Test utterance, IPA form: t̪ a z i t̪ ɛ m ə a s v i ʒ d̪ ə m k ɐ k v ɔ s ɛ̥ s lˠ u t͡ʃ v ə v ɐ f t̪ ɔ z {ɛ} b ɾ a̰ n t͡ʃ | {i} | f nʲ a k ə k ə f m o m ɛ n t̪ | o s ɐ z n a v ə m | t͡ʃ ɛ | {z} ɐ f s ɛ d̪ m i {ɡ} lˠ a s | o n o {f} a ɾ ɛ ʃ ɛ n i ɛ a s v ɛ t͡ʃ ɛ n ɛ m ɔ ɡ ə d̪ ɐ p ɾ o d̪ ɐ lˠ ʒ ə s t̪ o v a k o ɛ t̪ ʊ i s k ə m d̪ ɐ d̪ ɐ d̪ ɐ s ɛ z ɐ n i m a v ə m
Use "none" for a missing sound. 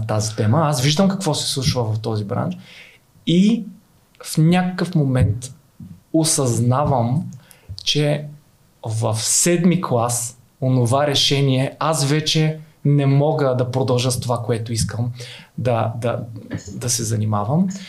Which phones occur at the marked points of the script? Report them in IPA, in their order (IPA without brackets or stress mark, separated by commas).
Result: i, i, v, k, v